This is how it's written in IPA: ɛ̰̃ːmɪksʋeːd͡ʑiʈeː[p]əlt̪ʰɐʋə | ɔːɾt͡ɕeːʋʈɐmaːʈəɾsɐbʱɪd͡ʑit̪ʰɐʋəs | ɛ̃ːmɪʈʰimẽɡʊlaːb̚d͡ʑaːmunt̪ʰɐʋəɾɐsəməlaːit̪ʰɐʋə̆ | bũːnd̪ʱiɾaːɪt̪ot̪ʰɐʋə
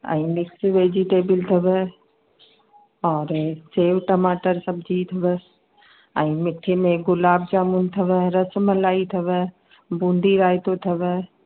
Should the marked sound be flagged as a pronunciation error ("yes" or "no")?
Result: yes